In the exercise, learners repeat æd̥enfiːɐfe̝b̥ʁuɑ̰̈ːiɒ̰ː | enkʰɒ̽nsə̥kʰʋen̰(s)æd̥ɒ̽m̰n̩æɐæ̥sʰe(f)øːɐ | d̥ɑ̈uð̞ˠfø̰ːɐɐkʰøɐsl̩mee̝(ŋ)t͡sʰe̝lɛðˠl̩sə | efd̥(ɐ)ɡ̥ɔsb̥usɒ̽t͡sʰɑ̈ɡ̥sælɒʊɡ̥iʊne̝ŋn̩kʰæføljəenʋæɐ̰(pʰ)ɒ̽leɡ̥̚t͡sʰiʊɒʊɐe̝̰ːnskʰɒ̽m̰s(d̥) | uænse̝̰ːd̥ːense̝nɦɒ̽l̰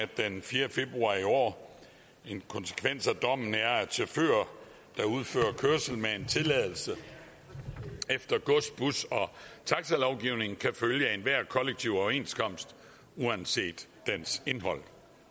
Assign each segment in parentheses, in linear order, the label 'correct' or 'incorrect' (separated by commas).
correct, correct, incorrect, correct, incorrect, correct